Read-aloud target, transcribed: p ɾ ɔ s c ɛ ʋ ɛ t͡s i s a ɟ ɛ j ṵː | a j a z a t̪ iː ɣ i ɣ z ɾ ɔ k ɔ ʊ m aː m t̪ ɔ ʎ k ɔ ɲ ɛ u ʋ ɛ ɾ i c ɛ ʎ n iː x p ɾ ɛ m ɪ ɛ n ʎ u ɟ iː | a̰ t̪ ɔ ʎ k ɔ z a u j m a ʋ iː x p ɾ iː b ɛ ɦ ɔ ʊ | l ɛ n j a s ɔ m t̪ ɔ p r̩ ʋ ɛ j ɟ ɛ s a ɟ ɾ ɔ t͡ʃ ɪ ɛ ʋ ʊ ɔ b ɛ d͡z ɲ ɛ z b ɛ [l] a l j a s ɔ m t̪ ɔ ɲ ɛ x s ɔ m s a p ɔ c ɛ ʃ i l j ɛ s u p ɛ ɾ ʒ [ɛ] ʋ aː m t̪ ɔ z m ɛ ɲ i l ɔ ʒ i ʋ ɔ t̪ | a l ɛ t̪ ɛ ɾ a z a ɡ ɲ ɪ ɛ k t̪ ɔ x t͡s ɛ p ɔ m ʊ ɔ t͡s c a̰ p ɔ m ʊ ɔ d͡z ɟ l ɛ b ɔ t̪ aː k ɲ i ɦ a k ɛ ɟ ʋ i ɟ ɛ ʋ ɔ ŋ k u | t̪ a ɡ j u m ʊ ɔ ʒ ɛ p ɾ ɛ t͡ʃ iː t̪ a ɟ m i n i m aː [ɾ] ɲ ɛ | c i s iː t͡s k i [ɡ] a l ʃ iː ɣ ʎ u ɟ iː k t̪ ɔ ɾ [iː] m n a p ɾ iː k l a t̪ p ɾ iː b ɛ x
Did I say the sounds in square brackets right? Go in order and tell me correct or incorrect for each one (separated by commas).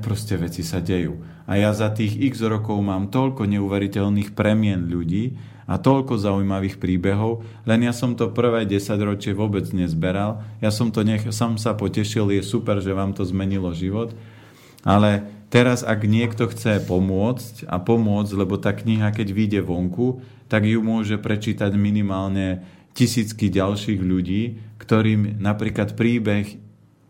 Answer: incorrect, correct, incorrect, incorrect, correct